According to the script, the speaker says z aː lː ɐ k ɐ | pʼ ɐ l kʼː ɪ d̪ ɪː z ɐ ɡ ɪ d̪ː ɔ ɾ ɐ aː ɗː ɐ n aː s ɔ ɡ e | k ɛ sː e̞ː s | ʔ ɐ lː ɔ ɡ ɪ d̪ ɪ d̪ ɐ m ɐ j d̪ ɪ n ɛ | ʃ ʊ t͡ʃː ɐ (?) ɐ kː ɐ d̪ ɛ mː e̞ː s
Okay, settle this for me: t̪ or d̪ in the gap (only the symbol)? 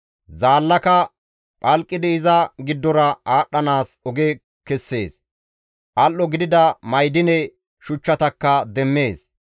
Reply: t̪